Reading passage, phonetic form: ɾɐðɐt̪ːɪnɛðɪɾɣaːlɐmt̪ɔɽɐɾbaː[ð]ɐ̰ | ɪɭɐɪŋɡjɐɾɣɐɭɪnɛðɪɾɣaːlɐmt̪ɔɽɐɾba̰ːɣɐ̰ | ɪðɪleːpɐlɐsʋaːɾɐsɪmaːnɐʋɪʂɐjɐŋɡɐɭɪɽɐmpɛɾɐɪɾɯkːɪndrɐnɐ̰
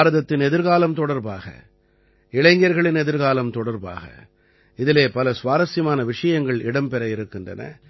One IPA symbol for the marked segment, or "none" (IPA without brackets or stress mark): ɣ